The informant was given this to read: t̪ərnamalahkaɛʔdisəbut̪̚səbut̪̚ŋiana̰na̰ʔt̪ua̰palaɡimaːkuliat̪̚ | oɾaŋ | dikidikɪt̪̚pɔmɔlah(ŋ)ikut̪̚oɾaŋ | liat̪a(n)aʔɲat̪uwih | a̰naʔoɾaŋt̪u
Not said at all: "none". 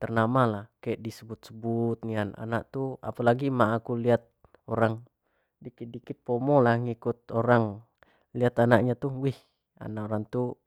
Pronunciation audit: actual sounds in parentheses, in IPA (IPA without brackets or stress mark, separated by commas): ŋ, n